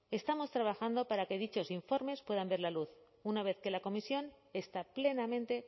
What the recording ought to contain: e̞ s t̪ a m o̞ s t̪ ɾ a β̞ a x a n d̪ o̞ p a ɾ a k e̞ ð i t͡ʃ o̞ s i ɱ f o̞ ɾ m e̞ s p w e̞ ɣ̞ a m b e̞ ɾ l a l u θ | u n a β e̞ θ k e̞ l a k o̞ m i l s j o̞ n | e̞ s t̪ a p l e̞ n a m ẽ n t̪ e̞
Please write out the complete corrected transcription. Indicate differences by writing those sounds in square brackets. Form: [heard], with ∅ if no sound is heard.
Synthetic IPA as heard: e̞ s t̪ a m o̞ s t̪ ɾ a β̞ a x a n d̪ o̞ p a ɾ a k e̞ ð i t͡ʃ o̞ s i ɱ f o̞ ɾ m e̞ s p w e̞ [ð̞] a m b e̞ ɾ l a l u θ | u n a β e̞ θ k e̞ l a k o̞ m i [∅] s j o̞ n | e̞ s t̪ a p l e̞ n a m ẽ n t̪ e̞